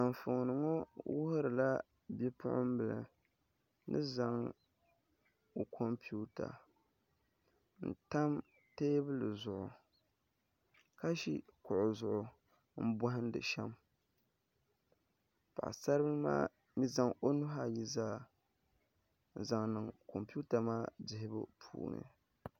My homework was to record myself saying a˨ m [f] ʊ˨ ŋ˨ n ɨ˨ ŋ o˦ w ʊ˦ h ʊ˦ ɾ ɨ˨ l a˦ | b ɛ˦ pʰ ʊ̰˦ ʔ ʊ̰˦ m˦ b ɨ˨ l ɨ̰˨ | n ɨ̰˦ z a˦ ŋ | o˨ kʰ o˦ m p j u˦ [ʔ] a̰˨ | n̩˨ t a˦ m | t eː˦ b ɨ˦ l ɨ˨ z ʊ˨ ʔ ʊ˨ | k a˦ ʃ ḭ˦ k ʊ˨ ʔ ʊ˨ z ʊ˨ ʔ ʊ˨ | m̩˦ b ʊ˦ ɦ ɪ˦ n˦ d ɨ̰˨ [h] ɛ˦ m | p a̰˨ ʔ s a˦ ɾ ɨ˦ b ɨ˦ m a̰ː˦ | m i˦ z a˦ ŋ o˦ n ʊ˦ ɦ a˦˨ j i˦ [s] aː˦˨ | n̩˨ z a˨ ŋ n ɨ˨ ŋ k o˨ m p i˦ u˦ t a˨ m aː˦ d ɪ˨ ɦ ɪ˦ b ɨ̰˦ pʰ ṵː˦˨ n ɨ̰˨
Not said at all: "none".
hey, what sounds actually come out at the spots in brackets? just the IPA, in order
f, t, ʃ, z

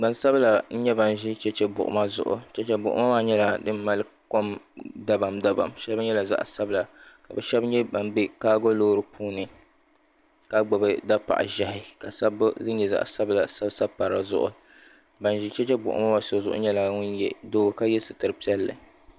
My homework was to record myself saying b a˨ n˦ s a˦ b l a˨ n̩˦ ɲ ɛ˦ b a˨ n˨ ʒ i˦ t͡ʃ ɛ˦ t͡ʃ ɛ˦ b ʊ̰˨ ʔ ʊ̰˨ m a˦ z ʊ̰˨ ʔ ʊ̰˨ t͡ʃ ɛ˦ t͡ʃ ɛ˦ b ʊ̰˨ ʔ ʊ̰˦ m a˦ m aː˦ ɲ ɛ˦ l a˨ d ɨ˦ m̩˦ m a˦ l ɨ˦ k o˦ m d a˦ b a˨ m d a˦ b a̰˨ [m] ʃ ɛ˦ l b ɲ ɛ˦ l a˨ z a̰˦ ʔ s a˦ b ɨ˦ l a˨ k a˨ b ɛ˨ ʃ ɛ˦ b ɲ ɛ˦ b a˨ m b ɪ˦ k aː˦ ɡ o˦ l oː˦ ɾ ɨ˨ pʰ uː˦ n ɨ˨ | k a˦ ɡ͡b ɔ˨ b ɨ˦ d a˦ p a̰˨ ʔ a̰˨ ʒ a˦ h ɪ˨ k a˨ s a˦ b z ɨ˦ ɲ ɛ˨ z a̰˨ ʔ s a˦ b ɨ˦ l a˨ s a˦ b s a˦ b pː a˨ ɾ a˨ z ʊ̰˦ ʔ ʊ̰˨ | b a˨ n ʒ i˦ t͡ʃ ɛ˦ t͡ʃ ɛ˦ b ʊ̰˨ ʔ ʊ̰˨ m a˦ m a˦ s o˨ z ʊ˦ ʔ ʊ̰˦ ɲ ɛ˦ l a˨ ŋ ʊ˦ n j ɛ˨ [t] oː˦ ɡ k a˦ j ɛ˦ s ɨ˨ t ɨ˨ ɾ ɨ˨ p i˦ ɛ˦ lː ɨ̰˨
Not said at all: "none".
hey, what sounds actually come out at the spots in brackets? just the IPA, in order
m, d

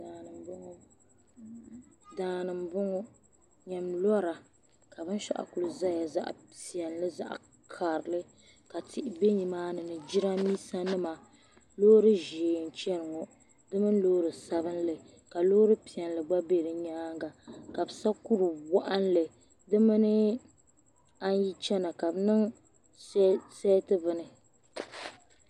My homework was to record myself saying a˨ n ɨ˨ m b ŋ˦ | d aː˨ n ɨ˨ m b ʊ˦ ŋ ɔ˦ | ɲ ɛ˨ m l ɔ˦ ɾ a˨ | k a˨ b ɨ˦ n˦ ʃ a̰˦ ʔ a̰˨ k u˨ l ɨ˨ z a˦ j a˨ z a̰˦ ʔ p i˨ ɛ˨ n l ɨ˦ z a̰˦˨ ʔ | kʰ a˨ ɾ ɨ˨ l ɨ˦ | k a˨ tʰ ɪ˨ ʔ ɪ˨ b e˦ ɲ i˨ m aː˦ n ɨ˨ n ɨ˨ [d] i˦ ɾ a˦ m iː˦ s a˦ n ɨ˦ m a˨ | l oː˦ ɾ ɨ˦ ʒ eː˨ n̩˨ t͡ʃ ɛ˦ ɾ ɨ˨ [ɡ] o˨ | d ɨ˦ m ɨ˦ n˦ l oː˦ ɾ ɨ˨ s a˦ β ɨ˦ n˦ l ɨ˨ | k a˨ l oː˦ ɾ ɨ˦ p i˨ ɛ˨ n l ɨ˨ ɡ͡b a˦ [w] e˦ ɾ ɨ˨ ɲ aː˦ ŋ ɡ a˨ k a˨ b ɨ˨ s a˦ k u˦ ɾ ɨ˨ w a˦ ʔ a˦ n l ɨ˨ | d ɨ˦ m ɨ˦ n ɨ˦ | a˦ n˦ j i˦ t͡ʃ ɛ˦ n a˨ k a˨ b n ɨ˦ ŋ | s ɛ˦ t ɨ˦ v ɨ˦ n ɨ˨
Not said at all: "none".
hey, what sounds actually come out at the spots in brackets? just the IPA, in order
d͡ʒ, ŋ, b

